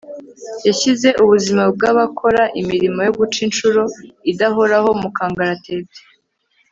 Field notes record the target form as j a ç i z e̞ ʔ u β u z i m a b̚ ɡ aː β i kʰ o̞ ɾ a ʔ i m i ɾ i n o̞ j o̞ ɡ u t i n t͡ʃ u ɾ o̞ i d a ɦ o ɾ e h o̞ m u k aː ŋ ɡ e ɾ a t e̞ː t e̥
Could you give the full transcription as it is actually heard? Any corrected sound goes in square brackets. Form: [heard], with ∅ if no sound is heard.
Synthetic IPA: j a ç i z e̞ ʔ u β u z i m a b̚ ɡ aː β [a] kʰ o̞ ɾ a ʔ i m i ɾ i [m] o̞ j o̞ ɡ u [t͡ʃ] i n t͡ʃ u ɾ o̞ i d a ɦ o ɾ [a] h o̞ m u k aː ŋ ɡ [a] ɾ a t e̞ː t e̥